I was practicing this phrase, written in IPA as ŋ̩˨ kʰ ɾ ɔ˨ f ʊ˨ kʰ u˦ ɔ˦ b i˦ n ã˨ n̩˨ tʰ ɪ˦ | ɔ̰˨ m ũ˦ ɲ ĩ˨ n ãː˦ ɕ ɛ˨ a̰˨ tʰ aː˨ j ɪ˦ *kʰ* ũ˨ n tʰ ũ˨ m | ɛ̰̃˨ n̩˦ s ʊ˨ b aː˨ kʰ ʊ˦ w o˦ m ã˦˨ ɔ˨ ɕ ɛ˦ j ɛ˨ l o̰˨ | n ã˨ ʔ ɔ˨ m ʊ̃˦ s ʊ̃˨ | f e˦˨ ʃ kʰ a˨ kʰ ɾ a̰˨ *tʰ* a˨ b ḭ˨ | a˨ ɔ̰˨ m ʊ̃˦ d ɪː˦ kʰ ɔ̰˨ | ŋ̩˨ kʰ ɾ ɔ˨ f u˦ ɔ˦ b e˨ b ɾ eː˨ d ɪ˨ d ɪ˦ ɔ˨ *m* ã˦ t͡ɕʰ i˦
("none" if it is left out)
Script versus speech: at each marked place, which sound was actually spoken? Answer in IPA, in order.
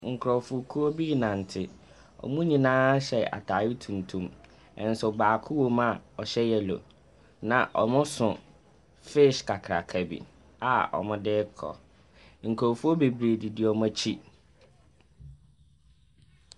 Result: tʰ, kʰ, m

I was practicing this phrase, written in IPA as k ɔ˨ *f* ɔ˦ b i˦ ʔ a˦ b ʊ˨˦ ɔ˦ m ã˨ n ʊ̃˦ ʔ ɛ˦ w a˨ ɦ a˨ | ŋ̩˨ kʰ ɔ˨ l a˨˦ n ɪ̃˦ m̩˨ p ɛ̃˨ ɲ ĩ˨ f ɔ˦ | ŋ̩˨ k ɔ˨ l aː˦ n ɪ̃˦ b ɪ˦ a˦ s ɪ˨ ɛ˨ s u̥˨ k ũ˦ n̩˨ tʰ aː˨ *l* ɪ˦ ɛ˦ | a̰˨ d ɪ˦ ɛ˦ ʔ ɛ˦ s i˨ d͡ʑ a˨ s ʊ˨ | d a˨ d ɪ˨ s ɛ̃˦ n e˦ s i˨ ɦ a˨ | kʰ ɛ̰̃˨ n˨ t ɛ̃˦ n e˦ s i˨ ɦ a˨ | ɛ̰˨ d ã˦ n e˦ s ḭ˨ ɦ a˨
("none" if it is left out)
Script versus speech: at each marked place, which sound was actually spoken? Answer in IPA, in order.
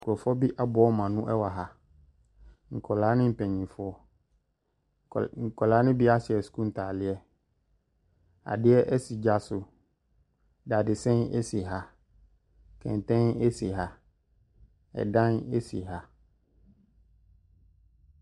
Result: f, l

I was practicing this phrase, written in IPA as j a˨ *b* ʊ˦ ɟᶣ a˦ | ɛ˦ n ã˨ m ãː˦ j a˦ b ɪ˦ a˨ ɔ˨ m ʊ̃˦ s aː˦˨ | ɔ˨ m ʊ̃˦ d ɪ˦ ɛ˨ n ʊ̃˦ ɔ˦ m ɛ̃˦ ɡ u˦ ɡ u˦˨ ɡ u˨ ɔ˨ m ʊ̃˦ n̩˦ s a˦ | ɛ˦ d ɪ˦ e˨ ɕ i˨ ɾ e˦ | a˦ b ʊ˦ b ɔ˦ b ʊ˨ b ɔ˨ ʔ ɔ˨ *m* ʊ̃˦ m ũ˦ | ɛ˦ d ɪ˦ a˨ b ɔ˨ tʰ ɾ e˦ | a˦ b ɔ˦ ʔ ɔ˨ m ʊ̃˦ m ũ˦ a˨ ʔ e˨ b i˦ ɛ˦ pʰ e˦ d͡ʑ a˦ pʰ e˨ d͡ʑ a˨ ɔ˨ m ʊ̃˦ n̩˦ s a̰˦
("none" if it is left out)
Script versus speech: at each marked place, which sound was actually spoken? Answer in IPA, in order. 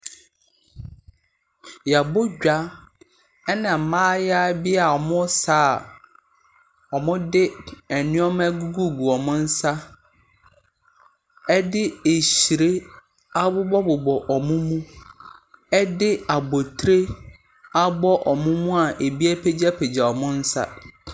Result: b, m

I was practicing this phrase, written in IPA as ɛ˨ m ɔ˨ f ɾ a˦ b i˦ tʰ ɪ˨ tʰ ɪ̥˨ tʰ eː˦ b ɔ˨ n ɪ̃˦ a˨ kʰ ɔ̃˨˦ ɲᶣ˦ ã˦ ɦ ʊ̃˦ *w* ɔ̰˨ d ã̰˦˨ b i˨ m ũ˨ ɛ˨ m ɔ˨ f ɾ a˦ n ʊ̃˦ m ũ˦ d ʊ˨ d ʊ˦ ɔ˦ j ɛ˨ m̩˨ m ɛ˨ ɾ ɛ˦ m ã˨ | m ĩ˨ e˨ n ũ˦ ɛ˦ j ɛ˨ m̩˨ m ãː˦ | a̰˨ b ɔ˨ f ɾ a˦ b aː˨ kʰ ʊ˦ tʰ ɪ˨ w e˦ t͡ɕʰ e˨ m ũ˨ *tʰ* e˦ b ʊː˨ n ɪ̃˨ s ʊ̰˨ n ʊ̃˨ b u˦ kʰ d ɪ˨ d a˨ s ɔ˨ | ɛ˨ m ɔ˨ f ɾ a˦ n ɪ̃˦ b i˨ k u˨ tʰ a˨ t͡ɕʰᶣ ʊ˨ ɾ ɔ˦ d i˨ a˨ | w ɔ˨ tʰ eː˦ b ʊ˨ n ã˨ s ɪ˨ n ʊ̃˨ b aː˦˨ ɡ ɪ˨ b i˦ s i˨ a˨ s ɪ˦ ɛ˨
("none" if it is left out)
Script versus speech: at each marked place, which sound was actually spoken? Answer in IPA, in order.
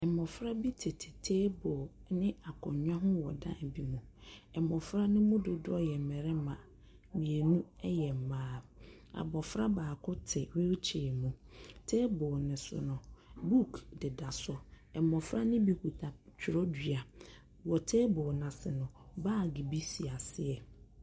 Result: w, tʰ

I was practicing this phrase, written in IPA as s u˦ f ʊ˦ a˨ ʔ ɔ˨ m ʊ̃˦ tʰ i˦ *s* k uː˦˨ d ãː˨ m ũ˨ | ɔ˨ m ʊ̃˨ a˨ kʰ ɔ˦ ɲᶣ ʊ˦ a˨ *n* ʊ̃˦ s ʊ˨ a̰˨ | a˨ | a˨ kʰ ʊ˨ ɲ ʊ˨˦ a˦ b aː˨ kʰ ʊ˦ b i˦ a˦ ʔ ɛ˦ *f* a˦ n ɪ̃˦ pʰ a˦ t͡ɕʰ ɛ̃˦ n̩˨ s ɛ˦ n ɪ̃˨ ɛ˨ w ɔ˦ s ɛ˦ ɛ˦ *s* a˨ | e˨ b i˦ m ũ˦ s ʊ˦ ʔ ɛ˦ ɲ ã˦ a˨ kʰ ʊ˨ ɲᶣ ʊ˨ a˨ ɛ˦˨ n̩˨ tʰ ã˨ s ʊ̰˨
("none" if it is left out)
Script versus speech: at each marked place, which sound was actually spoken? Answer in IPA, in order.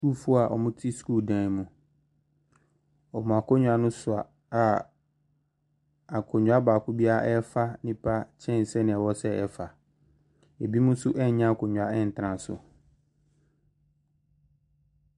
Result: s, n, f, f

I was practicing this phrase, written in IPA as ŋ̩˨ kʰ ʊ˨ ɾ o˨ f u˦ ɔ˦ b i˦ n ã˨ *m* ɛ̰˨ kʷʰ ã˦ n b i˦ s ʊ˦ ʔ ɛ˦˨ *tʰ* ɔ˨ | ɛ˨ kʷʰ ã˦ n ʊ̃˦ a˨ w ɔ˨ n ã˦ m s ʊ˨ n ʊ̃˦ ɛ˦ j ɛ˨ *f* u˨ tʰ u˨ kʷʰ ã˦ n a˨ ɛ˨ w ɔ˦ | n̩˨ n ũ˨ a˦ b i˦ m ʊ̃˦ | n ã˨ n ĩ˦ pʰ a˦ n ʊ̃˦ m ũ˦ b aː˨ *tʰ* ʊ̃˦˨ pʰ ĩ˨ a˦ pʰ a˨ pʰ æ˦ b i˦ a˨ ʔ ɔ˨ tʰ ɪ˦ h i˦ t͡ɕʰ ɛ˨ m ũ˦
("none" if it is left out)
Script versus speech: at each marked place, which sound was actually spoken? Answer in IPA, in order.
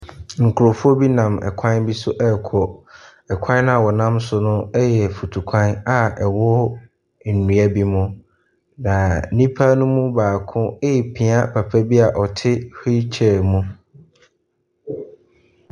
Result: m, kʰ, f, kʰ

